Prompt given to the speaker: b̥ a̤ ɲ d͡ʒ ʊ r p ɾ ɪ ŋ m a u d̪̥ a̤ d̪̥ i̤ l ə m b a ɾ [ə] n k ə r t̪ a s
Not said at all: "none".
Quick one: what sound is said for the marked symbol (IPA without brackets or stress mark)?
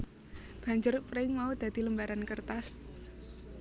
a